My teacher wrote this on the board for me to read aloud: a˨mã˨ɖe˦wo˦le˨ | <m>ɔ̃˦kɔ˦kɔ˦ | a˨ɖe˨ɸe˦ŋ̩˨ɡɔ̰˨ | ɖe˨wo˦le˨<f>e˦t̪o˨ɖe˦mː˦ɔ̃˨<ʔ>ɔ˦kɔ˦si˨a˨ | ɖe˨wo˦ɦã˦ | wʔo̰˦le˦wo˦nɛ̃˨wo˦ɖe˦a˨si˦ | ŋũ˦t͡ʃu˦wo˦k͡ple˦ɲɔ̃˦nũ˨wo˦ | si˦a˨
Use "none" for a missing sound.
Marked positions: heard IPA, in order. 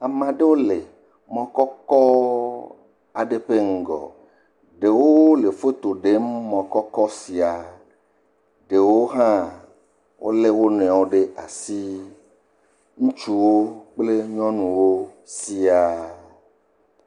m, f, k

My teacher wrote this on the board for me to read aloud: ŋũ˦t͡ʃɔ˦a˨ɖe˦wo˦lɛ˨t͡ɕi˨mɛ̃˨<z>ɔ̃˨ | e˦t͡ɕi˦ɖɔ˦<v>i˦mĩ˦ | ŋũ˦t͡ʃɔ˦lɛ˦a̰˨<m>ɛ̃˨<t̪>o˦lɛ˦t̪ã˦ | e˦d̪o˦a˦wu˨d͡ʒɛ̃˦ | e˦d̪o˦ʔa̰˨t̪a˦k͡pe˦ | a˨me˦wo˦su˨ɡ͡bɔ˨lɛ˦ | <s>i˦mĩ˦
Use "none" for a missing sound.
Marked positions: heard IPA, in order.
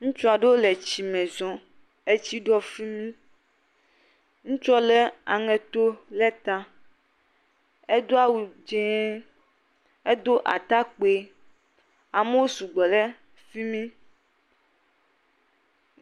z, f, ŋ, t̪, f

